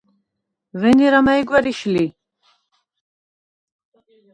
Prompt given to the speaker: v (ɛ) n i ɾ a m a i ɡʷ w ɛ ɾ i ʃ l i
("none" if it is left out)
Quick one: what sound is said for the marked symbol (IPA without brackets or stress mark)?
ɛ